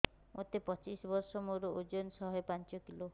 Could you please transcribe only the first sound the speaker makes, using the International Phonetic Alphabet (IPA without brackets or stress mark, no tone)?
m